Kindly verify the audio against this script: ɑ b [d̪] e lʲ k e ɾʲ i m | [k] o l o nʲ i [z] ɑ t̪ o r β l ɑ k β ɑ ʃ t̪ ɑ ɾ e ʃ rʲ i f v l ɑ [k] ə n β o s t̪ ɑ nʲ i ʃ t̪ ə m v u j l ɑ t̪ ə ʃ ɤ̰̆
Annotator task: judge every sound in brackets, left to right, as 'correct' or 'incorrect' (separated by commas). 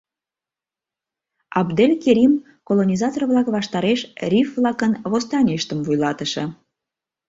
correct, correct, correct, correct